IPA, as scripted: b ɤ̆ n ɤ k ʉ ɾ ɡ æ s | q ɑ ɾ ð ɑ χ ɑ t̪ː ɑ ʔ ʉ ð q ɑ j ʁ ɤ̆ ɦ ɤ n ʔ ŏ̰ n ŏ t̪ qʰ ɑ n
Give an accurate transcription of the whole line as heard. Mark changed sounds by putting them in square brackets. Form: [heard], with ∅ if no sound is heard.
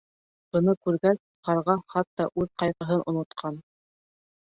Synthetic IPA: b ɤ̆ n ɤ k ʉ ɾ ɡ æ s | q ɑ ɾ [ʁ] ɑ χ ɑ t̪ː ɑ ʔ ʉ ð q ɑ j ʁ ɤ̆ ɦ ɤ n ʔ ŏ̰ n ŏ t̪ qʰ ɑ n